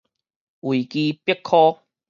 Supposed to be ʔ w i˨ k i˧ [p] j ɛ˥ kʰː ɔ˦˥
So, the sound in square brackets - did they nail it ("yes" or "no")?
yes